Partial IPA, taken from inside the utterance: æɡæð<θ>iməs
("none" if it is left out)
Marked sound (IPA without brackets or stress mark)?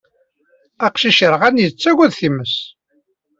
θ